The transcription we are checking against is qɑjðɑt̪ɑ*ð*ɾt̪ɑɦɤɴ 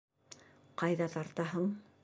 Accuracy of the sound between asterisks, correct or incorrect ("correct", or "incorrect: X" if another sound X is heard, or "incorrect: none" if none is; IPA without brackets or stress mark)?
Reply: incorrect: none